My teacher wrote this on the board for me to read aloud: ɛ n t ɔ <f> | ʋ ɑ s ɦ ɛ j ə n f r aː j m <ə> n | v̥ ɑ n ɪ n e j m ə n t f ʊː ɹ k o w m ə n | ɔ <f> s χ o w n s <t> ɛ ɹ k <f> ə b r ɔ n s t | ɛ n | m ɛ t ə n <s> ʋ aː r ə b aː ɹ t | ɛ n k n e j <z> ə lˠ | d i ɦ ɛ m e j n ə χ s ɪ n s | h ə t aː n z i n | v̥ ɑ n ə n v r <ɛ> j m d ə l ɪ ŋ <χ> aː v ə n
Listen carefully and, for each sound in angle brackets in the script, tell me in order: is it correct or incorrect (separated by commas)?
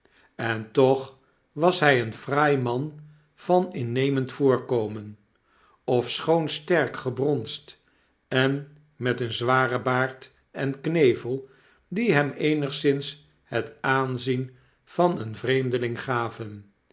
incorrect, incorrect, correct, correct, incorrect, incorrect, incorrect, incorrect, correct